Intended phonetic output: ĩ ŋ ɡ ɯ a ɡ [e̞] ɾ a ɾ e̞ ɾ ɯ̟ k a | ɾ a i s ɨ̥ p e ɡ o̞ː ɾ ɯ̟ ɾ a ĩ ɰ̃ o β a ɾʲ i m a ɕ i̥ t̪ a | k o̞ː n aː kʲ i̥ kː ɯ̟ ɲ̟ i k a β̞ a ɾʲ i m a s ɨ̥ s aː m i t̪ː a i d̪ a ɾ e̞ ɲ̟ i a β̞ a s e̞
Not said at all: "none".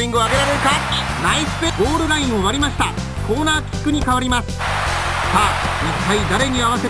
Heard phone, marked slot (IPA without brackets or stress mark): e̞